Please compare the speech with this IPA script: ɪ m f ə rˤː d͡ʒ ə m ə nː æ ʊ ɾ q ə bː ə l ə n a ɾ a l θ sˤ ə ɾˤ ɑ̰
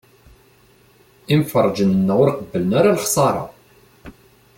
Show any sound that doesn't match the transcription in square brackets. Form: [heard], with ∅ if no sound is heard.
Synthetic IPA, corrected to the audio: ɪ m f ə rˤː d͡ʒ ə [n] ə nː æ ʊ ɾ q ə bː ə l ə n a ɾ a l [χ] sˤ [ɑ] ɾˤ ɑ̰